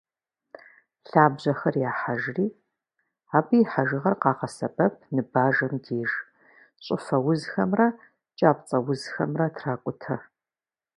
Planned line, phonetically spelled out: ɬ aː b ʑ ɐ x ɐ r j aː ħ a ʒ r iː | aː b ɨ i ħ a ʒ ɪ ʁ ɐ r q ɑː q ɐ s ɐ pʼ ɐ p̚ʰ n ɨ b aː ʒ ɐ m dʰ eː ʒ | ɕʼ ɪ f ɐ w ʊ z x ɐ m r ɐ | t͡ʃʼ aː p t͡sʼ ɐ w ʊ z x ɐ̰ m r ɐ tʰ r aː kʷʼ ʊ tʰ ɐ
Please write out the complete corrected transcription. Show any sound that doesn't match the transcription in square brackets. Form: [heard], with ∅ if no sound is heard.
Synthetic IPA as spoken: ɬ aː b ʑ ɐ x ɐ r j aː ħ a ʒ r iː | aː b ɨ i ħ a ʒ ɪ ʁ ɐ r q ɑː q ɐ s ɐ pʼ ɐ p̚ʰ n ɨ b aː ʒ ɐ m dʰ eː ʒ | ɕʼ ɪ f ɐ w ʊ z x ɐ m r ɐ | t͡ʃʼ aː p t͡sʼ ɐ w ʊ z x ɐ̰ m r ɐ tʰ r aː kʷʼ ʊ tʰ ɐ